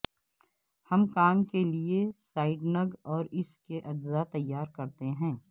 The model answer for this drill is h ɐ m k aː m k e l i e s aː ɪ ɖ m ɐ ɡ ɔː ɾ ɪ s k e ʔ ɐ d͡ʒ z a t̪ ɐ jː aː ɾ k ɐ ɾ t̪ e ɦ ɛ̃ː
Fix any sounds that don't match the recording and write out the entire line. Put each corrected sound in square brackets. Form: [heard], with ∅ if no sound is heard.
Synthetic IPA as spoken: h ɐ m k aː m k e l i e s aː ɪ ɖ [n] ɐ ɡ ɔː ɾ ɪ s k e ʔ ɐ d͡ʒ z a t̪ ɐ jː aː ɾ k ɐ ɾ t̪ e ɦ ɛ̃ː